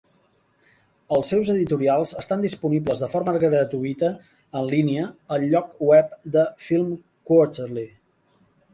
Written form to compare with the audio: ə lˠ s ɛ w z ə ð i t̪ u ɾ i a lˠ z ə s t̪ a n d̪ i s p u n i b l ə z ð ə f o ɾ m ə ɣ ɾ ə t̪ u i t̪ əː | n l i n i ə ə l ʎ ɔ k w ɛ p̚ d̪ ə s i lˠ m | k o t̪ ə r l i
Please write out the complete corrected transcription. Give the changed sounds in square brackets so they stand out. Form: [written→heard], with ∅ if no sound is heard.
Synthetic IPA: ə lˠ s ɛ w z ə ð i t̪ u ɾ i a lˠ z ə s t̪ a n d̪ i s p u n i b l ə z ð ə f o ɾ m ə ɣ ɾ ə t̪ u i t̪ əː | n l i n i ə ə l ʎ ɔ k w ɛ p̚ d̪ ə [s→f] i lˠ m | k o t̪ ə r l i